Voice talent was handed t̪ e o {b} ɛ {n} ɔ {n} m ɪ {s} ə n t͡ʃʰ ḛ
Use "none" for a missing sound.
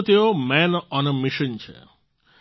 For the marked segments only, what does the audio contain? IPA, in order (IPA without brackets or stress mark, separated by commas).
m, n, n, ʃ